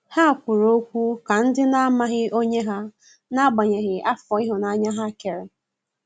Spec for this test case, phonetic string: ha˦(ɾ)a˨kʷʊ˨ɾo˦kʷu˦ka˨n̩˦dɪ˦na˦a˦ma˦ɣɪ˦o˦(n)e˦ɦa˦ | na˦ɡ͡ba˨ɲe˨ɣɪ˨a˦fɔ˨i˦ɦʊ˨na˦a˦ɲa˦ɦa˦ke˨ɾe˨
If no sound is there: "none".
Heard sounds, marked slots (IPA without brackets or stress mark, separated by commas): none, ɲ